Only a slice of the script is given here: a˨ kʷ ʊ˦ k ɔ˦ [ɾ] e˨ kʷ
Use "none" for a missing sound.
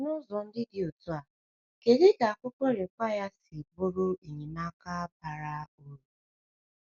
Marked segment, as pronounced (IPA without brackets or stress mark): ɾ